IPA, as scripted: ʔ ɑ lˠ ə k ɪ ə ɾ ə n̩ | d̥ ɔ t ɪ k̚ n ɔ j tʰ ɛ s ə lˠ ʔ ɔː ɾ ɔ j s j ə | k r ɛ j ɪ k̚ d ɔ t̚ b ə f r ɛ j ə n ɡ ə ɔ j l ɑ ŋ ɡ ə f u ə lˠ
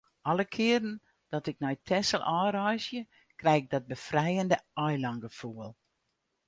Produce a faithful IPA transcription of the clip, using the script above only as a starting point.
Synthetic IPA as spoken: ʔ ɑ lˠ ə kʰ ɪ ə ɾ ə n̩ | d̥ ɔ t ɪ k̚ n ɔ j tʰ ɛ s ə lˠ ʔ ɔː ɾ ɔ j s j ə | k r ɛ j ɪ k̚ d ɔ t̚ b ə f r ɛ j ə n d ə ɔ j l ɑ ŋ ɡ ə f u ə lˠ